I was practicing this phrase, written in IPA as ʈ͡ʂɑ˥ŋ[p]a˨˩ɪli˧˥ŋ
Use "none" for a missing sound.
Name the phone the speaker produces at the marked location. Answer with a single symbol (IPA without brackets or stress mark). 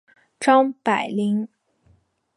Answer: p